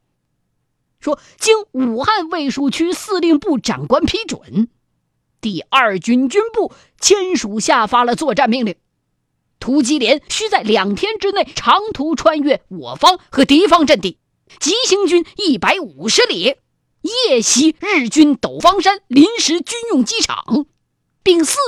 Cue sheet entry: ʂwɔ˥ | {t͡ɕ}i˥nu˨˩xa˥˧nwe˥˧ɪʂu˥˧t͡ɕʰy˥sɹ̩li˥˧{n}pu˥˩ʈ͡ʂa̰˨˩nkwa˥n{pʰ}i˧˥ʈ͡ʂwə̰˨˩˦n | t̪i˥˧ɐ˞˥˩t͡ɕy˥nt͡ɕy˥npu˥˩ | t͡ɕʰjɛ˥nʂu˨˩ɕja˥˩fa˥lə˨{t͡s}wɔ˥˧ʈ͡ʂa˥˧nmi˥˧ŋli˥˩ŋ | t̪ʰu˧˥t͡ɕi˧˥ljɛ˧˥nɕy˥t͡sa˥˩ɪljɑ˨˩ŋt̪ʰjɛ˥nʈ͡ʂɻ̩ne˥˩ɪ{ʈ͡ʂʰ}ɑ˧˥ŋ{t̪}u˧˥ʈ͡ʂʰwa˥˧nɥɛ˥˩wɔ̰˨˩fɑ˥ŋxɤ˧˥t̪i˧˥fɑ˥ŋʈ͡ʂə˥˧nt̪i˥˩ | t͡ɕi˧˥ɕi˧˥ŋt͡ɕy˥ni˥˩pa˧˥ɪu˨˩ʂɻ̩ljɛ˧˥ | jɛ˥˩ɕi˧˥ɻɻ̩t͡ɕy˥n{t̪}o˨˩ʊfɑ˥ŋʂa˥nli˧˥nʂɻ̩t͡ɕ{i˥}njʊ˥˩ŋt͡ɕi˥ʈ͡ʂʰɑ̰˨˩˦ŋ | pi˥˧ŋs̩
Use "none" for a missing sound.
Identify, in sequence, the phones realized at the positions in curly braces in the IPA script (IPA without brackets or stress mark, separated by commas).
t͡ɕ, ŋ, pʰ, t͡s, ʈ͡ʂʰ, t̪ʰ, t̪, y˥